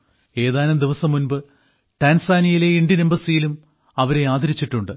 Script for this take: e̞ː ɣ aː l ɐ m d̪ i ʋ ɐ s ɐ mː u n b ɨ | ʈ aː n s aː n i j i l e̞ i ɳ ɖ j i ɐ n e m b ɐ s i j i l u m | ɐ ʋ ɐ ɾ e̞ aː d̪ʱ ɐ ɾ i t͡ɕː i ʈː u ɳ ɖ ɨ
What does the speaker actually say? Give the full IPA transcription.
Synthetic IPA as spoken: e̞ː ð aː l ɐ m d̪ i ʋ ɐ s ɐ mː u n b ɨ | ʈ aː n s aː n i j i l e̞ i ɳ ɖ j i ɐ n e m b ɐ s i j i l u m | ɐ ʋ ɐ ɾ e̞ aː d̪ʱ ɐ ɾ i t͡ɕː i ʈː u ɳ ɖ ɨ